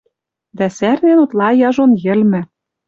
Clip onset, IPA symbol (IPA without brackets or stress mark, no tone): d̪